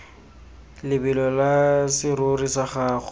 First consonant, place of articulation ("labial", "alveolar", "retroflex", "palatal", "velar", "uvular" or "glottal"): alveolar